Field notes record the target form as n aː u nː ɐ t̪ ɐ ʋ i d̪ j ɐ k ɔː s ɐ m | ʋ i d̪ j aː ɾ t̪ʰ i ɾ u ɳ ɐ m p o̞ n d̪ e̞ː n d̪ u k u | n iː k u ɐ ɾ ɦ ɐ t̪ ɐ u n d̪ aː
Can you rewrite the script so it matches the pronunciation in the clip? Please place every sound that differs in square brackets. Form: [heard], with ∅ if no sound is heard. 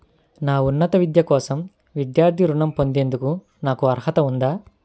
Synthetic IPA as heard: n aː u nː ɐ t̪ ɐ ʋ i d̪ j ɐ k ɔː s ɐ m | ʋ i d̪ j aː ɾ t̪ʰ i ɾ u ɳ ɐ m p o̞ n d̪ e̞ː n d̪ u k u | n [aː] k u ɐ ɾ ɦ ɐ t̪ ɐ u n d̪ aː